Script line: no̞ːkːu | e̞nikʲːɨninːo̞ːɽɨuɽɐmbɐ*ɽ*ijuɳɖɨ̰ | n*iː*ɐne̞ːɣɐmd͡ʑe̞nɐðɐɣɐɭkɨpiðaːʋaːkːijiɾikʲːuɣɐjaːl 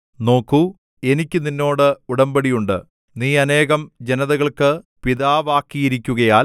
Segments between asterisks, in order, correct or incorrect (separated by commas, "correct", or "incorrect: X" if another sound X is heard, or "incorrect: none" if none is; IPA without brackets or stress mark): correct, correct